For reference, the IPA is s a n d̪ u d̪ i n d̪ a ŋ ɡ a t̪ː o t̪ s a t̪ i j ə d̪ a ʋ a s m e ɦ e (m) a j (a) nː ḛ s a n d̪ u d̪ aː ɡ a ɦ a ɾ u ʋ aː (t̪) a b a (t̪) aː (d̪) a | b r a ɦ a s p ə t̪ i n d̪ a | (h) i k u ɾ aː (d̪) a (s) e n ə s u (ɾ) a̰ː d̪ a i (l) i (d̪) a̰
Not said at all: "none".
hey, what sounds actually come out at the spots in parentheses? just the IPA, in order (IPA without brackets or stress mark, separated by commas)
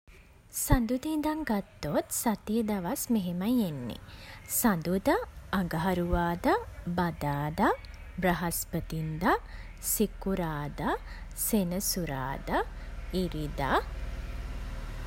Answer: m, e, d̪, d̪, d̪, s, d̪, s, ɾ, ɾ, d̪